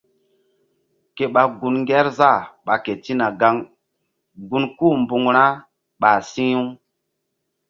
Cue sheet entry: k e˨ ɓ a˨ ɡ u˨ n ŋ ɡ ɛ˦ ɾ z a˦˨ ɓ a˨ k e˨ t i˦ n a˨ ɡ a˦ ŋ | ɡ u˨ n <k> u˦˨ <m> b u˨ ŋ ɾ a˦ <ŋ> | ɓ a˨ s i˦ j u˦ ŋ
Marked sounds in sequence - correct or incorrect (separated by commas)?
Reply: correct, correct, incorrect